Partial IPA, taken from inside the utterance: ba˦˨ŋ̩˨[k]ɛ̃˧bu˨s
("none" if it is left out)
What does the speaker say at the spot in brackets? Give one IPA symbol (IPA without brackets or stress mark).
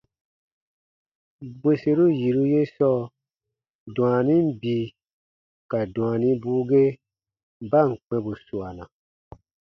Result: k͡p